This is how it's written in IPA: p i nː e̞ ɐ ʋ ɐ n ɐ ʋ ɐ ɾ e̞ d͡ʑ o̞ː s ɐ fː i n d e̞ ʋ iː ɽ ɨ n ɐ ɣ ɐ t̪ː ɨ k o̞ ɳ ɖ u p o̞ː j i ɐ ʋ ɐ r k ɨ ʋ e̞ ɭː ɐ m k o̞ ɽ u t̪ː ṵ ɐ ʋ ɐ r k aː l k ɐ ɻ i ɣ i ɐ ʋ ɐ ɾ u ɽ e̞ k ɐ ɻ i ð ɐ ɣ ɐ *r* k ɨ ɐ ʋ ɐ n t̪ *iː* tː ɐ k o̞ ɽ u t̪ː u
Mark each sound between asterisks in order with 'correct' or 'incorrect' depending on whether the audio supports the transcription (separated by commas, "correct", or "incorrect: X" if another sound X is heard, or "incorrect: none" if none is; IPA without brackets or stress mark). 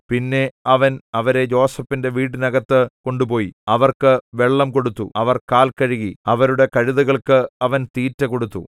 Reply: incorrect: ɭ, correct